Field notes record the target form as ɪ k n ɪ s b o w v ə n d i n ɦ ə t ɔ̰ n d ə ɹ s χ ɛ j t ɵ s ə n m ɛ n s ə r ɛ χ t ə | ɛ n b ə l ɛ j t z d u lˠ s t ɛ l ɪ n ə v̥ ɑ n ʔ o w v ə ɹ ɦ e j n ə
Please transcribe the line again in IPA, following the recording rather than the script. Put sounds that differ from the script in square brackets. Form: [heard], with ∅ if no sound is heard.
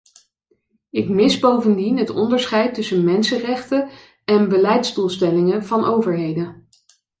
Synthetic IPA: ɪ k [m] ɪ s b o w v ə n d i n ɦ ə t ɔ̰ n d ə ɹ s χ ɛ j t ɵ s ə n m ɛ n s ə r ɛ χ t ə | ɛ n b ə l ɛ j t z d u lˠ s t ɛ l ɪ [ŋ] ə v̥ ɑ n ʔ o w v ə ɹ ɦ e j [d] ə